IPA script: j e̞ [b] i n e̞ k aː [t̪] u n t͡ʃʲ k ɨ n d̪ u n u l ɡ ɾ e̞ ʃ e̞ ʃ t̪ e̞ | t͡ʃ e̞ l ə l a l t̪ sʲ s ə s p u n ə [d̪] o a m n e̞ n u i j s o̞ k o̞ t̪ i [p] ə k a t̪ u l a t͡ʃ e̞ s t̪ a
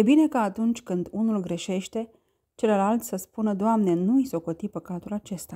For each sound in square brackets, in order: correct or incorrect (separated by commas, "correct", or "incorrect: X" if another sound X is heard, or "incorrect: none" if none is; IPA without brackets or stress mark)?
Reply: correct, correct, correct, correct